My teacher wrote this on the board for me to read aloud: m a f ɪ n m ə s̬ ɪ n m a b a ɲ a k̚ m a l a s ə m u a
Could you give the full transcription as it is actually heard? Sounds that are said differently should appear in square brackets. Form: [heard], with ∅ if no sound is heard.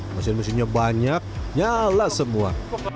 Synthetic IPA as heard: m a [s] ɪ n m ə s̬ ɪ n [ɲ] a b a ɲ a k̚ [ɲ] a l a s ə m u a